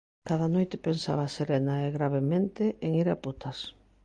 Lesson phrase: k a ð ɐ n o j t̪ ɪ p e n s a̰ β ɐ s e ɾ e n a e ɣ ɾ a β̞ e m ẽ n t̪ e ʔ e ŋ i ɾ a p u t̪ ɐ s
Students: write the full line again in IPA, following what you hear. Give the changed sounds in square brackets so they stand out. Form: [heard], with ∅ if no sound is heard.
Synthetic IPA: k a ð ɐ n o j t̪ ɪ p e n s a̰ β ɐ s e ɾ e n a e ɣ ɾ a β̞ e m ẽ n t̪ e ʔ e ŋ i ɾ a p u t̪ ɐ s